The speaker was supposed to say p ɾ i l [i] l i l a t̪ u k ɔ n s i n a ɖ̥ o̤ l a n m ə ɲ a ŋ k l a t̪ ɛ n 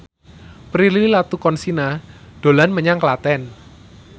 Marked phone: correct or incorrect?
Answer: correct